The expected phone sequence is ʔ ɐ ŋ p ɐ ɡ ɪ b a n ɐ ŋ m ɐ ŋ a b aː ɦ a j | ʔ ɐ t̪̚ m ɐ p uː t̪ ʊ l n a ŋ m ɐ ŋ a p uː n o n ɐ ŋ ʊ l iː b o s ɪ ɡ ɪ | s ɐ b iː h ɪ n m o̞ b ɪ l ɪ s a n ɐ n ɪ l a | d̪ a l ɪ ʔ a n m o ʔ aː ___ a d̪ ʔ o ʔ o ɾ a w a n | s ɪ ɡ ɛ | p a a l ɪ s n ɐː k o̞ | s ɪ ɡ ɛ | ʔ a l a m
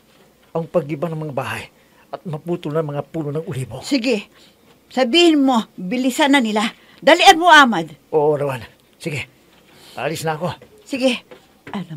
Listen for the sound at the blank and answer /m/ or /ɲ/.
m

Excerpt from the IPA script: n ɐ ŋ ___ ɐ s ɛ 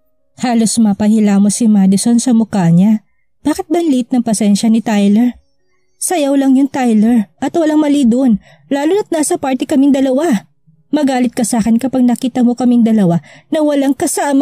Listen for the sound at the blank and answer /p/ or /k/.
p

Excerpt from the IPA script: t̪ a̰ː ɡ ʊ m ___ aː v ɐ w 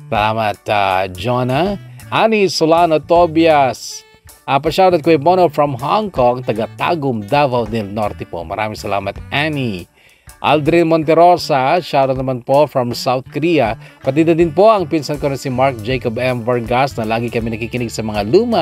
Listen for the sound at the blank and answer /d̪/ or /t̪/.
d̪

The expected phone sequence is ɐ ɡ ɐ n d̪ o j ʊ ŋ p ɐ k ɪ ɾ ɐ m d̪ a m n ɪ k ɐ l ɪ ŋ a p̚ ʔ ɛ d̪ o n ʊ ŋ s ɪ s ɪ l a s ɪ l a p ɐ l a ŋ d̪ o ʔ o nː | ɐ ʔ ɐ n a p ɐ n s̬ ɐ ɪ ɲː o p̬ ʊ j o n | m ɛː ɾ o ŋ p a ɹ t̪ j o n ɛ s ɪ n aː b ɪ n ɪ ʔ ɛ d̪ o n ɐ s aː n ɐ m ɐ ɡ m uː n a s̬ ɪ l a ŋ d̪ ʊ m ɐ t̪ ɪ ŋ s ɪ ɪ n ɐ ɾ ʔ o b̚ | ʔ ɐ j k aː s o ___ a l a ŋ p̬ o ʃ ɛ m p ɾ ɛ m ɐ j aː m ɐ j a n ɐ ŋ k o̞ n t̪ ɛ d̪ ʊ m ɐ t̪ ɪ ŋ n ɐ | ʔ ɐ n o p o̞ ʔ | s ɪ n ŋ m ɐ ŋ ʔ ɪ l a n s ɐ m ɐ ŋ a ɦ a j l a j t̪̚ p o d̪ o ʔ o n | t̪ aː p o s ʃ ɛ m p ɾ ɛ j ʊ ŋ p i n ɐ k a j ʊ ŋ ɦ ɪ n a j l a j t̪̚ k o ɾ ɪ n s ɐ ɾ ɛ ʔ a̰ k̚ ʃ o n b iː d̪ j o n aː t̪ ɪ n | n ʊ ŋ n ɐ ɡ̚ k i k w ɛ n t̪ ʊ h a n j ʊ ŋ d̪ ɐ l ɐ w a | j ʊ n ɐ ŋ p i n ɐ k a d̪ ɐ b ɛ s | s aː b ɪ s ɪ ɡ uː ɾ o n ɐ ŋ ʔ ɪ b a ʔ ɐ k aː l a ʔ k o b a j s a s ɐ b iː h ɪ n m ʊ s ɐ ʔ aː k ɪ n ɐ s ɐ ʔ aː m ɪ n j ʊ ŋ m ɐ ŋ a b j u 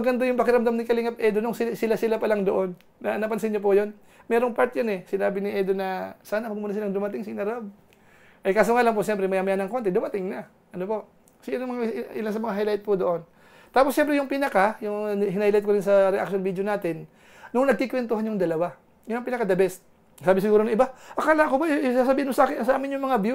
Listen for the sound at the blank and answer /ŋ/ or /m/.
ŋ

